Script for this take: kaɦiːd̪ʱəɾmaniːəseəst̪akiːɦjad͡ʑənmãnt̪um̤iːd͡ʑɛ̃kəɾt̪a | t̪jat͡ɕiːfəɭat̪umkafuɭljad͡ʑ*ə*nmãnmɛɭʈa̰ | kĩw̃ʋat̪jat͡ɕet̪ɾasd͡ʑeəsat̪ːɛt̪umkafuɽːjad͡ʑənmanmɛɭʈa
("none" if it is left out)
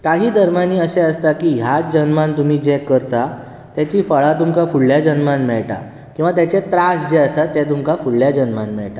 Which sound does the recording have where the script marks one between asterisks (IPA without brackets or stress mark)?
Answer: ə